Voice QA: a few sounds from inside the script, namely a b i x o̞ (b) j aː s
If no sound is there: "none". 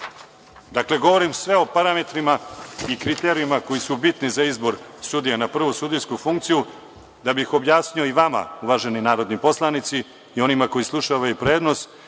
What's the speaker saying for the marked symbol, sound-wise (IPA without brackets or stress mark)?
b